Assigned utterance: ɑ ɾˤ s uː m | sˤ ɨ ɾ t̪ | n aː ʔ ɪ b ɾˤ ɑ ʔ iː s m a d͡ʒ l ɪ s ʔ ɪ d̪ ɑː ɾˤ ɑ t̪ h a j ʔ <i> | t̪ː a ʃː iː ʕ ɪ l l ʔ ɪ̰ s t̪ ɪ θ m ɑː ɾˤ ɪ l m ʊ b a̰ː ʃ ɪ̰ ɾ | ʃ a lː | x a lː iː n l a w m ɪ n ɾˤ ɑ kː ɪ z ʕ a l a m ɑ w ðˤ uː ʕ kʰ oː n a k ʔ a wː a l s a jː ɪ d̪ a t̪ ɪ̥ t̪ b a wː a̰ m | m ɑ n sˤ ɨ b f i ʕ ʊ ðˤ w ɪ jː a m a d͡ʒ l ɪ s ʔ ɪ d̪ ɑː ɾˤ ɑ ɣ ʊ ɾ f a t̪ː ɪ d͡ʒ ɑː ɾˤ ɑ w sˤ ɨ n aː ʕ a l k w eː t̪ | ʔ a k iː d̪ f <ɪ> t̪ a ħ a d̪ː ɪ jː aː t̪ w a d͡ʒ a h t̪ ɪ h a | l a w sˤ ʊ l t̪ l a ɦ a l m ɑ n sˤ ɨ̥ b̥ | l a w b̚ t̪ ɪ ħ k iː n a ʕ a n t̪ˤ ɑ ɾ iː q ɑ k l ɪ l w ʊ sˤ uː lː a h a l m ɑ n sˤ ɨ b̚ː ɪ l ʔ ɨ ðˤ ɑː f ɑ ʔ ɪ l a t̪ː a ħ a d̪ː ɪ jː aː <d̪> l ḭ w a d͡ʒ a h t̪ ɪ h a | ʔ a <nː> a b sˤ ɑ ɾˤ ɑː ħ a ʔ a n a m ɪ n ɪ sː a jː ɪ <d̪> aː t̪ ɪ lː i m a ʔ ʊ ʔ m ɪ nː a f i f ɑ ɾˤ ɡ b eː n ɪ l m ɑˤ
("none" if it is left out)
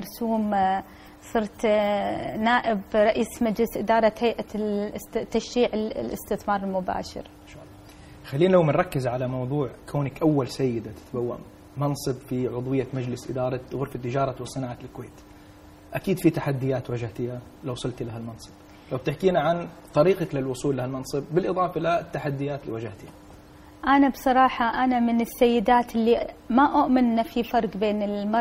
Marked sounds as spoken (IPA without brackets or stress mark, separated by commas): a, i, t̪, n, d̪